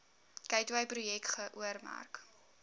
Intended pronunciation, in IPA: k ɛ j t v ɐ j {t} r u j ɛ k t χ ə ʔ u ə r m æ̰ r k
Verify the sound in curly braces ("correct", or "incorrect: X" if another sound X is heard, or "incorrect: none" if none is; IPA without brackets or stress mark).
incorrect: p